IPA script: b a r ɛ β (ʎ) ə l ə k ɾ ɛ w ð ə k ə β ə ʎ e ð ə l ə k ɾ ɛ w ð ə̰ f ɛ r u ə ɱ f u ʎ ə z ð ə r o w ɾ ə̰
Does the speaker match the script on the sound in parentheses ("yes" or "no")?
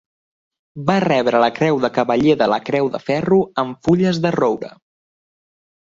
no